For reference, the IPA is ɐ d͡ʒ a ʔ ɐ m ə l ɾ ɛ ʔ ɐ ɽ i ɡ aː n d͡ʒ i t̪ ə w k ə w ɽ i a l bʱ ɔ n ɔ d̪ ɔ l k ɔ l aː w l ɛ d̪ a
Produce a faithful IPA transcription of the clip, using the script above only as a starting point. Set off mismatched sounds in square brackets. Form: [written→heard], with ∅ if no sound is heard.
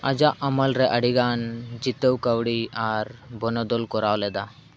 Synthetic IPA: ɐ d͡ʒ a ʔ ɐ m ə l ɾ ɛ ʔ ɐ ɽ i ɡ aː n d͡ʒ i t̪ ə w k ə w ɽ i a [l→ɾ] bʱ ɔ n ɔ d̪ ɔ l k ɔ [l→ɾ] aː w l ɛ d̪ a